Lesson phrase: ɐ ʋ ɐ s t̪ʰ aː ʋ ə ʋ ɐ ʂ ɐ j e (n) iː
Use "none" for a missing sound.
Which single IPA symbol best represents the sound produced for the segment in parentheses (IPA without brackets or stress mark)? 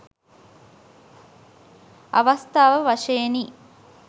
n